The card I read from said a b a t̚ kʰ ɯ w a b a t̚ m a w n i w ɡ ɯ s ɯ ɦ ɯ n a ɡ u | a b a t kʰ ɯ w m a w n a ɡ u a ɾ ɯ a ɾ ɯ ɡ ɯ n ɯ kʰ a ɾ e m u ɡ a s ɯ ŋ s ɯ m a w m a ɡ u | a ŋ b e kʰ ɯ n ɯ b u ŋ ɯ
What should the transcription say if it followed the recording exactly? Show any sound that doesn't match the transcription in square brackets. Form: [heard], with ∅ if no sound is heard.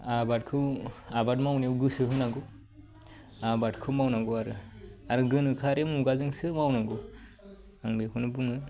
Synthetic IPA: a b a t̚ kʰ ɯ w a b a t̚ m a w n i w ɡ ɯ s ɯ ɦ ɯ n a ɡ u | a b a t kʰ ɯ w m a w n a ɡ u a ɾ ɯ a ɾ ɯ ɡ ɯ n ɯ kʰ a ɾ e m u ɡ a [z] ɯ ŋ s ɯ m a w [n] a ɡ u | a ŋ b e kʰ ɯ n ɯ b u ŋ ɯ